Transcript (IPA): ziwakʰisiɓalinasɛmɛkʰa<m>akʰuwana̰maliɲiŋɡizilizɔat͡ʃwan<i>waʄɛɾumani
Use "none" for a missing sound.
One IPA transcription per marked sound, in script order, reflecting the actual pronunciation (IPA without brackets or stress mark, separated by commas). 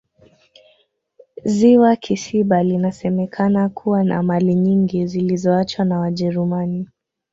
n, a